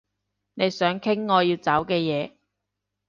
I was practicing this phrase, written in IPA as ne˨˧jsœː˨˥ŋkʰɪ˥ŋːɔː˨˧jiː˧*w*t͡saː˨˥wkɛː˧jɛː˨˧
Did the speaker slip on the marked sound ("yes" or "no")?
no